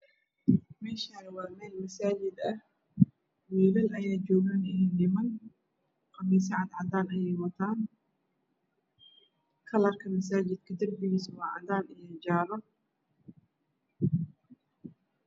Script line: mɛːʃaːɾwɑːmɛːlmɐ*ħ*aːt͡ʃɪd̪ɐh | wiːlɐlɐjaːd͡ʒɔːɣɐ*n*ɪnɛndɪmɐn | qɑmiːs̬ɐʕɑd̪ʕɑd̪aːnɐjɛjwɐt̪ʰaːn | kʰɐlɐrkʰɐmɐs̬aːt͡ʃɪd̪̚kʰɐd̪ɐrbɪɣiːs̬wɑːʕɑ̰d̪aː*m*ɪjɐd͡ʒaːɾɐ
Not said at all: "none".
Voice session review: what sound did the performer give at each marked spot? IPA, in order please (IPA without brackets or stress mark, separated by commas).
s, n, n